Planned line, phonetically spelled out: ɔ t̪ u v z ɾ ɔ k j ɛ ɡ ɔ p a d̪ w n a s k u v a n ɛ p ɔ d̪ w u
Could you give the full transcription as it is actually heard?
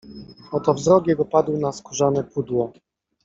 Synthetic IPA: ɔ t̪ ɔ v z ɾ ɔ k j ɛ ɡ ɔ p a d̪ w n a s k u ʐ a n ɛ p u d̪ w ɔ